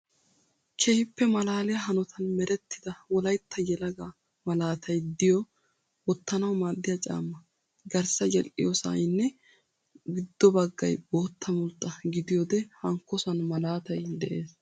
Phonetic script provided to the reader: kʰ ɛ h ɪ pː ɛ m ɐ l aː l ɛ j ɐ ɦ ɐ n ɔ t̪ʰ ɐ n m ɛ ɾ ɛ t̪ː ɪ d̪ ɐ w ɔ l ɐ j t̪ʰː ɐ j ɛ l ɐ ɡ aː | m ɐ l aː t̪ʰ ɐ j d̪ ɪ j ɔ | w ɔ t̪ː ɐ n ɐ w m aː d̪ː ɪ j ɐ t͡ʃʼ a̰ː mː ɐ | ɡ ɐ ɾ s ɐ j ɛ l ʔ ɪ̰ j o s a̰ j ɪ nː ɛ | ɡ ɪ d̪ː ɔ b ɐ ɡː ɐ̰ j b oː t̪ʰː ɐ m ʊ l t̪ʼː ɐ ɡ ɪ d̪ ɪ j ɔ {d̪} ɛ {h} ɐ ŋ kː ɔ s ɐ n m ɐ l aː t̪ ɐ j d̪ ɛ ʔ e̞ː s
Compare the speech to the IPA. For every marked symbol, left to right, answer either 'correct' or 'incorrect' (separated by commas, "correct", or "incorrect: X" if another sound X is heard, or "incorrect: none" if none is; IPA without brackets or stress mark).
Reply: correct, correct